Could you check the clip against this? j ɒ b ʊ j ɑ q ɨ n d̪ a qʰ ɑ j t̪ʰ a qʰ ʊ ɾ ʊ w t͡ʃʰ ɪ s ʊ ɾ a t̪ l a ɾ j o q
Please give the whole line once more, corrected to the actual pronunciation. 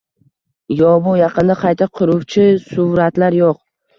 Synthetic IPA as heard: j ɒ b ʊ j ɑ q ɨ n d̪ a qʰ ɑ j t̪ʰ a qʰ ʊ ɾ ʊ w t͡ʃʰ ɪ s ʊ ɾ a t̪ l a ɾ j o q